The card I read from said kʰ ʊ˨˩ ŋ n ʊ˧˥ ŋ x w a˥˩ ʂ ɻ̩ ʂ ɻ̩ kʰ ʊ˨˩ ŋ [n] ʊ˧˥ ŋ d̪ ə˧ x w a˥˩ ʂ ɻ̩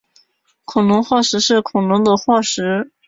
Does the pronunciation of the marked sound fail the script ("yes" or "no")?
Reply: no